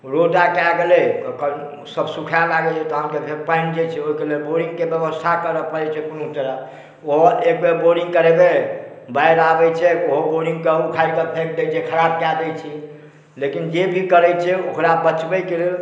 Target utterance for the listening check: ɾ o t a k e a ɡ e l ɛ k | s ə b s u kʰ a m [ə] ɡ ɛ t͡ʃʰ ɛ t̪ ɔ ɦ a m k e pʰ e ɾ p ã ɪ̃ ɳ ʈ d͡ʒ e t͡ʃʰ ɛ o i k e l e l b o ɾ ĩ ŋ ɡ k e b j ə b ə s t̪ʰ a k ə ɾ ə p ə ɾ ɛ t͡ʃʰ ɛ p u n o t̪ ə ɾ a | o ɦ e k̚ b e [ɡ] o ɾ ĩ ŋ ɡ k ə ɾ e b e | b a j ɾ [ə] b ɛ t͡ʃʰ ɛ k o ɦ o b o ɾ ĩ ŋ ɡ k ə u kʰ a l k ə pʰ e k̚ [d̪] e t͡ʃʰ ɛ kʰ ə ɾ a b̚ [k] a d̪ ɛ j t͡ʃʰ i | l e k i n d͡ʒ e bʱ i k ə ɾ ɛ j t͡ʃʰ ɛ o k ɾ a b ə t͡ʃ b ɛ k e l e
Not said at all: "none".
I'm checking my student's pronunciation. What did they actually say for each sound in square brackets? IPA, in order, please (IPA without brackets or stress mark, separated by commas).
a, b, a, d̪, k